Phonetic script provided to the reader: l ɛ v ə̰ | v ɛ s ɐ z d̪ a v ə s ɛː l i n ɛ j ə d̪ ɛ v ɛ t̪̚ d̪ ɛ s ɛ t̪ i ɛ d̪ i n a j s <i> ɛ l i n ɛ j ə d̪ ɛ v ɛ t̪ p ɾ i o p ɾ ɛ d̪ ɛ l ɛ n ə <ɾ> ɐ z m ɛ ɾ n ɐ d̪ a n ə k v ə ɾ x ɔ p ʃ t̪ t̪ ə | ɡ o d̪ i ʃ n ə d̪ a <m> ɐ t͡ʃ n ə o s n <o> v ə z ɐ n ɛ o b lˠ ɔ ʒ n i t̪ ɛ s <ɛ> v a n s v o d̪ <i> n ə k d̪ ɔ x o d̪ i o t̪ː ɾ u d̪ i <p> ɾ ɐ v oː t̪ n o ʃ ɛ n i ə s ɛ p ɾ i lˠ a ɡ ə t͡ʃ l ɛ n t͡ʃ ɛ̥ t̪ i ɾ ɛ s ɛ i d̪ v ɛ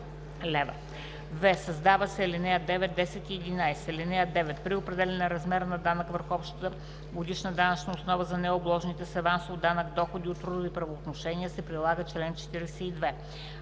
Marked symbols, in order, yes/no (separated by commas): no, yes, no, no, yes, no, yes